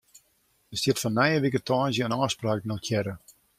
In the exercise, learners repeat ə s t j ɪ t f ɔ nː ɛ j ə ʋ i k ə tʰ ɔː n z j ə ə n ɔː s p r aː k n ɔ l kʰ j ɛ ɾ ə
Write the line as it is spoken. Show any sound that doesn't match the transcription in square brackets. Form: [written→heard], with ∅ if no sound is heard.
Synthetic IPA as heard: ə s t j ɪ t f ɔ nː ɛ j ə ʋ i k ə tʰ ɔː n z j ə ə n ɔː s p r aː k n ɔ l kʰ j ɛ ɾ ə